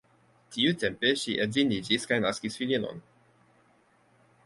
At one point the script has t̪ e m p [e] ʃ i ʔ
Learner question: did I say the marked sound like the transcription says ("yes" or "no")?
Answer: yes